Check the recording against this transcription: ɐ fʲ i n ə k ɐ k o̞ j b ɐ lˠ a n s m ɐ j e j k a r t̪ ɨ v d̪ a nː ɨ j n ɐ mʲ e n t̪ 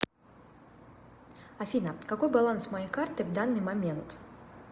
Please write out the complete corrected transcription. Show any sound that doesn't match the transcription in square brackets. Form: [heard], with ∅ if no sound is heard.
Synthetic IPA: ɐ fʲ i n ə k ɐ k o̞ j b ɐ lˠ a n s m ɐ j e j k a r t̪ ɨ v d̪ a nː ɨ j [m] ɐ mʲ e n t̪